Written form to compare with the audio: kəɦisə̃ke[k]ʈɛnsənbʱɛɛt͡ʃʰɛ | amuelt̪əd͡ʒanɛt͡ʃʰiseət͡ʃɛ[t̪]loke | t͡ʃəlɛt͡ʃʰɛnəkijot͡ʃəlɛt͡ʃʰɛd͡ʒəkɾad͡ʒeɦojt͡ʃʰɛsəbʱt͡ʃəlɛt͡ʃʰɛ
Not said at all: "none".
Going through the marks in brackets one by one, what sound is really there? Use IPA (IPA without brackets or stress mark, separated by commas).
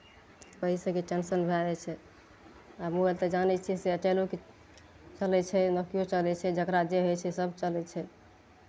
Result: none, none